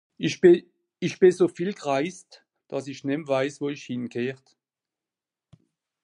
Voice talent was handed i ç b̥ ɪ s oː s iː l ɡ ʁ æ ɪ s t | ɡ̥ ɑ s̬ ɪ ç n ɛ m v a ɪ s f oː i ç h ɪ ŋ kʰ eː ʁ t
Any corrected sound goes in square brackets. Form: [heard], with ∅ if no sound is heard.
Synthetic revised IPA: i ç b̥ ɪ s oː [f] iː l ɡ ʁ [a] ɪ s t | [d̥] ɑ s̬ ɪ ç n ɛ m v a ɪ s [v] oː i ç h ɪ [n] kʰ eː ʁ t